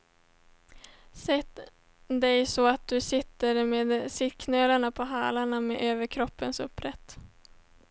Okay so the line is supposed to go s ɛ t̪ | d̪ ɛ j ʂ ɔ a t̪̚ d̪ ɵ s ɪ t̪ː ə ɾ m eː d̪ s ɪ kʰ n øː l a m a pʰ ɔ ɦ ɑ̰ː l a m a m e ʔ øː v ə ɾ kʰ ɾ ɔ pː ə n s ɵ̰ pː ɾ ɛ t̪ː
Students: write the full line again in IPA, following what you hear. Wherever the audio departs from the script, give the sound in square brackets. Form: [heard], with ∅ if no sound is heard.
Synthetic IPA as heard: s ɛ t̪ | d̪ ɛ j [s] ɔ a t̪̚ d̪ ɵ s ɪ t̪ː ə ɾ m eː d̪ s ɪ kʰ n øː l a [ɳ] a pʰ ɔ ɦ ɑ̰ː l a [ɳ] a m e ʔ øː v ə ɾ kʰ ɾ ɔ pː ə n s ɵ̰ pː ɾ ɛ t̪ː